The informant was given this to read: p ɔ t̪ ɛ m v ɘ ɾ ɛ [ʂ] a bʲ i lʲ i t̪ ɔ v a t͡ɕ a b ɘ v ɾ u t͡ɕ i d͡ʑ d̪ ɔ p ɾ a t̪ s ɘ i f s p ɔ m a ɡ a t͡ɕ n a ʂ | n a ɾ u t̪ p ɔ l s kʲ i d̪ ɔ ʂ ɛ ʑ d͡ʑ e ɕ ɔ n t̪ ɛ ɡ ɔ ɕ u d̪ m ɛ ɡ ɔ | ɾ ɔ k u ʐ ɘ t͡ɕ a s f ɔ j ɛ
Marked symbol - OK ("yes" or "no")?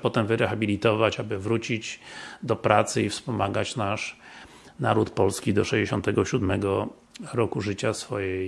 no